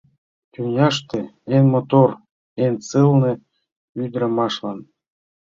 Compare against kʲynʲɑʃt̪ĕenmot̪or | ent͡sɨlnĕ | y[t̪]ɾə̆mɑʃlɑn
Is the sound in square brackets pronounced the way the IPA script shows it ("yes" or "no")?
no